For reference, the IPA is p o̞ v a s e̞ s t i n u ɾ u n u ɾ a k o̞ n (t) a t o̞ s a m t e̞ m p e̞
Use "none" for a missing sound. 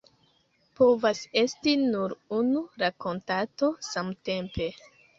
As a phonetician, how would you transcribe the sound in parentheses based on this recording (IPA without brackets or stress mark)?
t